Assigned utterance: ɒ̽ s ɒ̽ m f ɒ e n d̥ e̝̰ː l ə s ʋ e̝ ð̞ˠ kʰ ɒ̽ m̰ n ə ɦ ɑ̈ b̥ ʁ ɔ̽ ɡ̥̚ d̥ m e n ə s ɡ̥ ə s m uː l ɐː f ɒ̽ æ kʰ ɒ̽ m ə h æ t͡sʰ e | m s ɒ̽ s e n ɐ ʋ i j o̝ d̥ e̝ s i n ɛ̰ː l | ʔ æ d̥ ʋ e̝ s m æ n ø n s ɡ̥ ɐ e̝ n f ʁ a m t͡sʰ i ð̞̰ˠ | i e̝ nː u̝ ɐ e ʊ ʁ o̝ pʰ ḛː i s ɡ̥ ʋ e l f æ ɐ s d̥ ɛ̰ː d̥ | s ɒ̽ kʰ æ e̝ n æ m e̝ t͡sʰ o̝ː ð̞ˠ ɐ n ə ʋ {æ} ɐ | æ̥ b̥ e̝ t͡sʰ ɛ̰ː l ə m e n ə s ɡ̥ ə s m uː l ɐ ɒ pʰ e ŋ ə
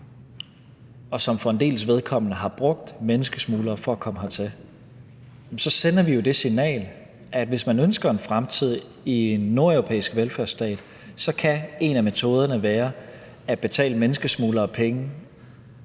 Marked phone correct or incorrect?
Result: incorrect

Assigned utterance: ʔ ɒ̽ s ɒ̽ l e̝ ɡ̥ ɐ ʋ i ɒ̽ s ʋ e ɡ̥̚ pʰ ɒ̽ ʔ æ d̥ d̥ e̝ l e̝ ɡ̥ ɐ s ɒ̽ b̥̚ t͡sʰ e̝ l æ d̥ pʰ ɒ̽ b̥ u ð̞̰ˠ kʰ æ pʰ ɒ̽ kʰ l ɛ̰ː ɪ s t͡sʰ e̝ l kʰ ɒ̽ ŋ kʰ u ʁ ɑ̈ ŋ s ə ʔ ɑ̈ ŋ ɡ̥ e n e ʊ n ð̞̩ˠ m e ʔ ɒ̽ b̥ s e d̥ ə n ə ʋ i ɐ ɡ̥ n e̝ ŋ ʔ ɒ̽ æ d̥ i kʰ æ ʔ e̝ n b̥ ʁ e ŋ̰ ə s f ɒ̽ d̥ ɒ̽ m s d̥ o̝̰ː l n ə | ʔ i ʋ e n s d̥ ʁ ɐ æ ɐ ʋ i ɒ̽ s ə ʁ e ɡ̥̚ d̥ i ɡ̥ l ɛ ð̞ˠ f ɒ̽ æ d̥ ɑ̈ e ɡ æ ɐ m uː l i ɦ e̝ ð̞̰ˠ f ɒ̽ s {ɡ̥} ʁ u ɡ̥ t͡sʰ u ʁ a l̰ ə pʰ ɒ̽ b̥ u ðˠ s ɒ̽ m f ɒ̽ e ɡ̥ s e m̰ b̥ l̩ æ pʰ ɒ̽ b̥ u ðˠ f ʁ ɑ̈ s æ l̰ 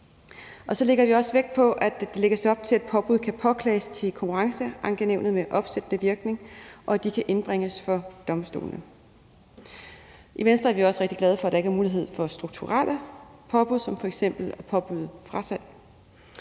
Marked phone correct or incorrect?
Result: incorrect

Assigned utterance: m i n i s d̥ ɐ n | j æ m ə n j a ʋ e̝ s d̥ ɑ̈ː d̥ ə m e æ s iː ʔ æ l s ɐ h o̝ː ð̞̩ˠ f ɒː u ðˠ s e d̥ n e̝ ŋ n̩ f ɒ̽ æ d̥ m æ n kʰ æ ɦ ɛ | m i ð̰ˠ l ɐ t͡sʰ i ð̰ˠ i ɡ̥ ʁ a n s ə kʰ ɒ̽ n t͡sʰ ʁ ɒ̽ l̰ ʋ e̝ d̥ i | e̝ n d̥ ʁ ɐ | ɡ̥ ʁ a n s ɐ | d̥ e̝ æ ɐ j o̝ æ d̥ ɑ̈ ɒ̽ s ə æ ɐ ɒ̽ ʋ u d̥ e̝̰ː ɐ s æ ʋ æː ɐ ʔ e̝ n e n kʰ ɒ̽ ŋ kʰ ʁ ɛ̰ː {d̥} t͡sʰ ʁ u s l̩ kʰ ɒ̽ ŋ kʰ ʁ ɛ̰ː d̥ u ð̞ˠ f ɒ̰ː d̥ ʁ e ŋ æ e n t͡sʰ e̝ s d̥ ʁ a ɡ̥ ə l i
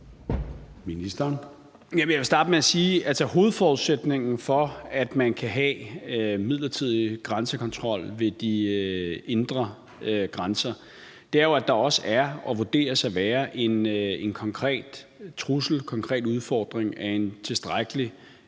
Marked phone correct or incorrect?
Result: correct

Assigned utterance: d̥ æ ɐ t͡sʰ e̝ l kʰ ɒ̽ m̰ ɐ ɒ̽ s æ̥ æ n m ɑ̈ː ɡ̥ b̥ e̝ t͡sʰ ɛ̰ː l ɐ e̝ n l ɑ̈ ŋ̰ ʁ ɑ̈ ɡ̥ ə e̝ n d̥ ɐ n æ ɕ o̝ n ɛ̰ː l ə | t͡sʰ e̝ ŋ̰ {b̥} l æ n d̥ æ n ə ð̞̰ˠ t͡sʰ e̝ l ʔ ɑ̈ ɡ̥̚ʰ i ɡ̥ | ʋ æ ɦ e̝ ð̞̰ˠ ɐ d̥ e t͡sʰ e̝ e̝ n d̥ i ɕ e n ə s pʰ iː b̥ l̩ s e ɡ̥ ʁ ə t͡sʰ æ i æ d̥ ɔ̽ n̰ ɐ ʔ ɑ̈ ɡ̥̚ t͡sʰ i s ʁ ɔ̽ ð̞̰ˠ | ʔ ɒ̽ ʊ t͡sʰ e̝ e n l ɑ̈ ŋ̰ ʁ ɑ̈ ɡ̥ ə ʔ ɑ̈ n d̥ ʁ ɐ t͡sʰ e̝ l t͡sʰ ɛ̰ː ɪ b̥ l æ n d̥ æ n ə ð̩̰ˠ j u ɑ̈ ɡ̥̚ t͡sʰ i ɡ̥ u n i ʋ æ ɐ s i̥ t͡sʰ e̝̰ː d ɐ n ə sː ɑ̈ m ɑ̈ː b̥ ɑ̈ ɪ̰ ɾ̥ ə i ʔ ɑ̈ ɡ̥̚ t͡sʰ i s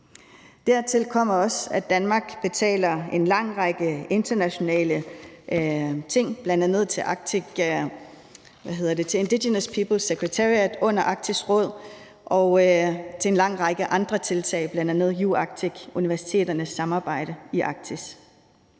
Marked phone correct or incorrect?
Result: correct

